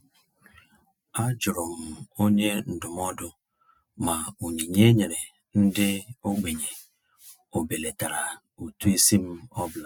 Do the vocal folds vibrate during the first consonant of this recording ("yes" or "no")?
yes